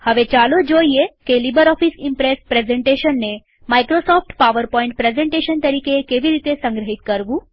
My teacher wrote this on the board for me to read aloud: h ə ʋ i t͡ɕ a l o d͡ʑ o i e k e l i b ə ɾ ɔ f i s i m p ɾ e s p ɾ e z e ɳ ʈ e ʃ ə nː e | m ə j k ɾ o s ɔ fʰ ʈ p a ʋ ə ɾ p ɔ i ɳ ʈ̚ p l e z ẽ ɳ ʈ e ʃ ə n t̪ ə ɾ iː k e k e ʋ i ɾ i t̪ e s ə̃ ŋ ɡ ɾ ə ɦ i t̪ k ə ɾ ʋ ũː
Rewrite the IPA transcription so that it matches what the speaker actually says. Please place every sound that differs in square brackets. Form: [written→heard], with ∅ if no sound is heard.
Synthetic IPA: h ə ʋ [i→e] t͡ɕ a l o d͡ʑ o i e k e l i b ə ɾ ɔ f i s i m p ɾ e s p ɾ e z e ɳ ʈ e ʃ ə nː e | m [ə→a] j k ɾ o s ɔ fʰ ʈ p a ʋ ə ɾ p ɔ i ɳ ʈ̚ p [l→ɾ] e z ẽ ɳ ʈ e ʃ ə n t̪ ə ɾ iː k e k e ʋ i ɾ i t̪ e s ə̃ ŋ ɡ ɾ ə ɦ i t̪ k ə ɾ ʋ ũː